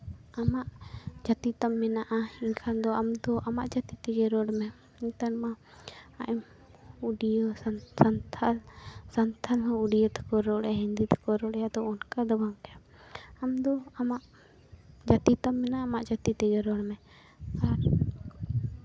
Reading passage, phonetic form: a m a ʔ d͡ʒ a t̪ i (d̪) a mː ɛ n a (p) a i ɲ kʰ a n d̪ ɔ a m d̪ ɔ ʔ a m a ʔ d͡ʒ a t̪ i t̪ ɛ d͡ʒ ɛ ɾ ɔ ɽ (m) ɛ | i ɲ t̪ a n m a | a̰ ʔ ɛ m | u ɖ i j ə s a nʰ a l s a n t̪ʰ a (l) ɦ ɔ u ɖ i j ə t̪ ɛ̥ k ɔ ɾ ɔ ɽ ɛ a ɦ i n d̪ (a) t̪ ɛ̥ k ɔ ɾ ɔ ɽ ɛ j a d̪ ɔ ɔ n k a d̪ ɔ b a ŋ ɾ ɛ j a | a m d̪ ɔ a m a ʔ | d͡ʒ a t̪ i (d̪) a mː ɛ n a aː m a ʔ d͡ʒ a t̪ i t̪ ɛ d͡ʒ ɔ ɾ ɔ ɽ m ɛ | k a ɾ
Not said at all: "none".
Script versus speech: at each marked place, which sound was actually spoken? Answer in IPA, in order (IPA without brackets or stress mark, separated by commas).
t̪, ʔ, m, l, i, t̪